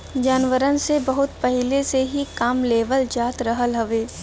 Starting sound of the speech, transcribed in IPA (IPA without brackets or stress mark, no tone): d͡ʒ